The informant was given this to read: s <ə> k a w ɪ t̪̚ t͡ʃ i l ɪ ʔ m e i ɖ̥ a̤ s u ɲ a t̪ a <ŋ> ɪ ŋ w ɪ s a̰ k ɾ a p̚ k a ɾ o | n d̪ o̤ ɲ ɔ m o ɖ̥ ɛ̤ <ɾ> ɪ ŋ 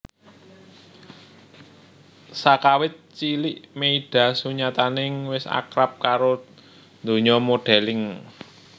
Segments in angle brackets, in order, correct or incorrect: incorrect, incorrect, incorrect

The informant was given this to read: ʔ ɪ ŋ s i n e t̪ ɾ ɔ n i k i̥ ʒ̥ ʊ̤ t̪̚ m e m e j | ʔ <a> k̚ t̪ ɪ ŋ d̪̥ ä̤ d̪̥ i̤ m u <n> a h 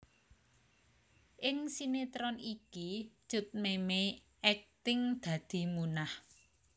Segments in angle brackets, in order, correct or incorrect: incorrect, correct

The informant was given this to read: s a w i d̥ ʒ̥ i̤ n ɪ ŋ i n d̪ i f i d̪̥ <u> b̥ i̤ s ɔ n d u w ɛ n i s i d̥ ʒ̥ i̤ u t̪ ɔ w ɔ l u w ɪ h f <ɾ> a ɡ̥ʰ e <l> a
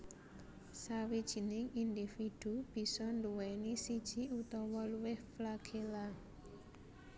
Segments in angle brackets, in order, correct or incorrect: correct, incorrect, correct

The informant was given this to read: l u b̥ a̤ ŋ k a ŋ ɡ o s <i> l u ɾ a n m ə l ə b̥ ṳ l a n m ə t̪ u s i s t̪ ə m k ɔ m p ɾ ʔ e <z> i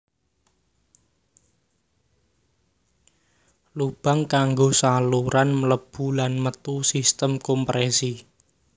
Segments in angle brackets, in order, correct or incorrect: incorrect, incorrect

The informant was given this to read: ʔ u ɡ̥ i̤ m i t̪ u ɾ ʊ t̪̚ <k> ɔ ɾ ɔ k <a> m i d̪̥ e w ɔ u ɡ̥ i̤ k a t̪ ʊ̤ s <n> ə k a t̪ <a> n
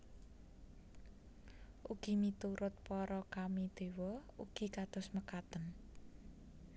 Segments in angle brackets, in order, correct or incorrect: incorrect, correct, incorrect, incorrect

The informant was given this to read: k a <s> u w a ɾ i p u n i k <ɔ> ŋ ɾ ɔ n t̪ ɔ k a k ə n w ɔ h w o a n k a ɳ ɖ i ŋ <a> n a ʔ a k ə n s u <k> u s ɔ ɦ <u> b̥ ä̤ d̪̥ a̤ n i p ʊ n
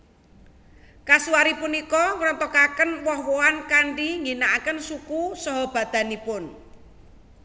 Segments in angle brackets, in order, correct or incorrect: correct, correct, incorrect, correct, incorrect

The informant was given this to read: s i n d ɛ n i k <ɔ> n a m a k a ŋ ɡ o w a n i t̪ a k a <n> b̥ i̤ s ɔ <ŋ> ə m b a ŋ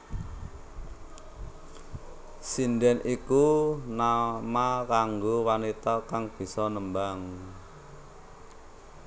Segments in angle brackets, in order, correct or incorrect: incorrect, incorrect, incorrect

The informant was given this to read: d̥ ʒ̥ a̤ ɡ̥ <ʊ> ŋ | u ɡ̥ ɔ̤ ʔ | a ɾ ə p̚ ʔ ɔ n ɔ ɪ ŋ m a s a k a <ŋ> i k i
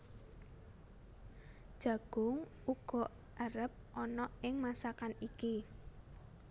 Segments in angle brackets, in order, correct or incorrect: correct, incorrect

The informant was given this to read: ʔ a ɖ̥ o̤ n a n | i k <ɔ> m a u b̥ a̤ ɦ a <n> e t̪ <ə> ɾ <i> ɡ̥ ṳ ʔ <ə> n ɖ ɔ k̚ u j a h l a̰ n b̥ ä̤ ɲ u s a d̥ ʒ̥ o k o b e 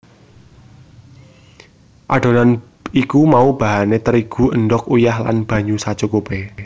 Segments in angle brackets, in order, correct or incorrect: incorrect, correct, correct, correct, correct

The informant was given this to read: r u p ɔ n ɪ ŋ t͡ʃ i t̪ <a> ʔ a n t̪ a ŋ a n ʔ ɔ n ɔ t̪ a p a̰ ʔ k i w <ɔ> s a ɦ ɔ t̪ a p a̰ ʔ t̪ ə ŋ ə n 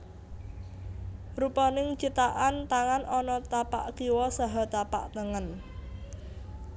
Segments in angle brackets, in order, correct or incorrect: correct, correct

